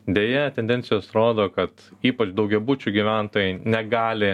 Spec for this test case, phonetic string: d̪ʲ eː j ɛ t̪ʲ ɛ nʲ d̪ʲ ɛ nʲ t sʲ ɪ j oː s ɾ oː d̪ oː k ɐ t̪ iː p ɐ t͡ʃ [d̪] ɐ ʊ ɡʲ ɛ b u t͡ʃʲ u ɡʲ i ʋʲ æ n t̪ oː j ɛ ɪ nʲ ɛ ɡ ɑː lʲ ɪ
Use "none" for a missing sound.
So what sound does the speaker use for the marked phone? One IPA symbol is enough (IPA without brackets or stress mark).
d̪